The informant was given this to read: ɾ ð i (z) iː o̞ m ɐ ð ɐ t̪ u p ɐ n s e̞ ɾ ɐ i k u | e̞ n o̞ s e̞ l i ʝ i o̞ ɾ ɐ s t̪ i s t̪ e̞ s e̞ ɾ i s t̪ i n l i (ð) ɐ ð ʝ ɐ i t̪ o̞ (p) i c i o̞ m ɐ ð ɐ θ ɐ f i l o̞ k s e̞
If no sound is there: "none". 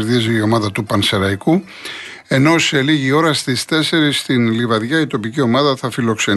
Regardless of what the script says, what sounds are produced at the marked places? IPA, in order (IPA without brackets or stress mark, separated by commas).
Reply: z, v, p